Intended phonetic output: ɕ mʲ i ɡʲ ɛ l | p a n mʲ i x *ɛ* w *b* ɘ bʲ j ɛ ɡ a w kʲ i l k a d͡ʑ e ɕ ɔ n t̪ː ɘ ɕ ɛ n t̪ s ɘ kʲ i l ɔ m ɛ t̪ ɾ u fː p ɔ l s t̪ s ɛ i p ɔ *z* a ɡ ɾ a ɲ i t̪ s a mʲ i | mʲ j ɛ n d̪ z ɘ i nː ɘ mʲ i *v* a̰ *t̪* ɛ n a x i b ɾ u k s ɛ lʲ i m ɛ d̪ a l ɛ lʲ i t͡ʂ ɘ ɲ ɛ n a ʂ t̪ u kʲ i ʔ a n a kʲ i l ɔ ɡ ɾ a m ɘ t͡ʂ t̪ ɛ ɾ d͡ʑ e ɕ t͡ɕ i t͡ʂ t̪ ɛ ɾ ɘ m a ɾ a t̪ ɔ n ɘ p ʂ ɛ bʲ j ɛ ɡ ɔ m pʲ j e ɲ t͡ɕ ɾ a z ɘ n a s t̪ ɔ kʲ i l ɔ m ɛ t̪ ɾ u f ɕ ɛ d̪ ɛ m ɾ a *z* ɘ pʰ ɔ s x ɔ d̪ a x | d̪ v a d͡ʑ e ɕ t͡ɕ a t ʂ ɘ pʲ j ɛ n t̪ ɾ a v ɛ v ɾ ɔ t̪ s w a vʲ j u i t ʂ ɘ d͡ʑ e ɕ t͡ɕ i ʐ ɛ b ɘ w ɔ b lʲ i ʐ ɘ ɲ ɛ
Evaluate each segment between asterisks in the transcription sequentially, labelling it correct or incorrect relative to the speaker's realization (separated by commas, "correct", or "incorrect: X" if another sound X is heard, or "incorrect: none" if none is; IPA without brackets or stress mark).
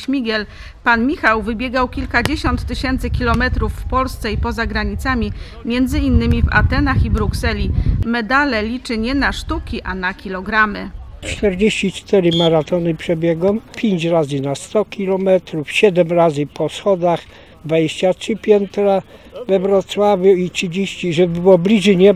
incorrect: a, incorrect: v, correct, correct, correct, correct